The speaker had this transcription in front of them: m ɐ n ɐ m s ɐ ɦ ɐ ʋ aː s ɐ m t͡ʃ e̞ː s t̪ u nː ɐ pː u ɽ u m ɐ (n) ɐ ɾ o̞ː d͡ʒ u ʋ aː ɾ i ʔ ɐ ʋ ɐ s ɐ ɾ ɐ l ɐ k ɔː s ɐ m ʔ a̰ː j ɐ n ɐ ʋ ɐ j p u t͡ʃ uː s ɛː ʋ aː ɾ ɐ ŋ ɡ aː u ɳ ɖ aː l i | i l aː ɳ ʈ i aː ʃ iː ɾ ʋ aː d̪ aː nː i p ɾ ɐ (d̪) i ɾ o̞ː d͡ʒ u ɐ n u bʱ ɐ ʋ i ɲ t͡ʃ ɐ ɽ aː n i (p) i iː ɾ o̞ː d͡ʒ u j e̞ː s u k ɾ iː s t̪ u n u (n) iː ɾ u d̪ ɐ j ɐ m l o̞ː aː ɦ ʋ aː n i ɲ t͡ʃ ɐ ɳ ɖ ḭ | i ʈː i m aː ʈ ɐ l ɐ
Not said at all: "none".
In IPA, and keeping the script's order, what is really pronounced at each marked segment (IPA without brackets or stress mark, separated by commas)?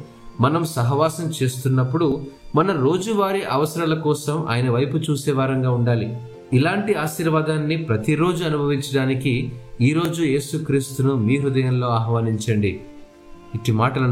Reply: n, t̪, k, m